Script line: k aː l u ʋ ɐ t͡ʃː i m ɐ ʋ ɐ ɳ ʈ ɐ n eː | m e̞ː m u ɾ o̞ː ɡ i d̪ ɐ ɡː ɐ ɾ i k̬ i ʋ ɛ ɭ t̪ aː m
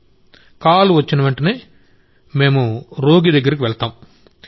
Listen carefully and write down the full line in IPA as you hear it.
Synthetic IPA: k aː l u ʋ ɐ t͡ʃː i n ɐ ʋ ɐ ɳ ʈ ɐ n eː | m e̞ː m u ɾ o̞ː ɡ i d̪ ɐ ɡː ɐ ɾ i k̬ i ʋ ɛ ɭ t̪ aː m